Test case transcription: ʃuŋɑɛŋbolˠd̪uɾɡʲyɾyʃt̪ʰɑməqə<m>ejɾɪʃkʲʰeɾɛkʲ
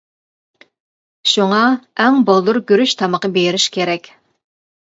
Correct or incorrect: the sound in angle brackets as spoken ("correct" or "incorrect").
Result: incorrect